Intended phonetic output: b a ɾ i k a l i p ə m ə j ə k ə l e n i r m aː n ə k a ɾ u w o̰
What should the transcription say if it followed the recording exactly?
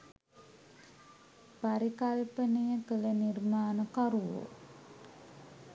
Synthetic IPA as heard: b a ɾ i k a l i p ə n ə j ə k ə l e n i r m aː n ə k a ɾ u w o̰